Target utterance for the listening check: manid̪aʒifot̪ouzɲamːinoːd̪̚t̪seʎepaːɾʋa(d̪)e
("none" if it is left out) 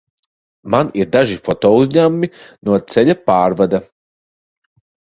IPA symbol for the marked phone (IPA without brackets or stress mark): d̪